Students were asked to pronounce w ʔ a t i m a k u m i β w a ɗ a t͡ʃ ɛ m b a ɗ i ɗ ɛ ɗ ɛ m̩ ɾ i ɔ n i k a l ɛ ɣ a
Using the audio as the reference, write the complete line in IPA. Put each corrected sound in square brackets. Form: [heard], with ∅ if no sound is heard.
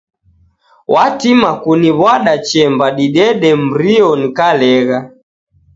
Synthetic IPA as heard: w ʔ a t i m a k u [n] i β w a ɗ a t͡ʃ ɛ m b a ɗ i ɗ ɛ ɗ ɛ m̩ ɾ i ɔ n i k a l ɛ ɣ a